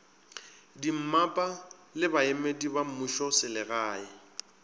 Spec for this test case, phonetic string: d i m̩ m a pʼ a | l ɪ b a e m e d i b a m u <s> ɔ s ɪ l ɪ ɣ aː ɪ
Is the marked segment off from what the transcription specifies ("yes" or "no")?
yes